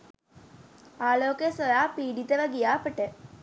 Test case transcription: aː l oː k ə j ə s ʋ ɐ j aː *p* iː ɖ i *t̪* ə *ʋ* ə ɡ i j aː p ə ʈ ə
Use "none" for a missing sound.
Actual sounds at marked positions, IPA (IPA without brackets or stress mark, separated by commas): p, t̪, ʋ